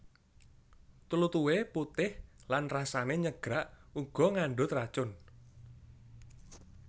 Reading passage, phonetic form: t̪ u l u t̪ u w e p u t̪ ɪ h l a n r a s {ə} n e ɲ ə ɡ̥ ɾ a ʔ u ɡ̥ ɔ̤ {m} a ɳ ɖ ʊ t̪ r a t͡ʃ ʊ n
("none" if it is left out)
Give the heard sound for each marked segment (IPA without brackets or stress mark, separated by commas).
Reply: a, ŋ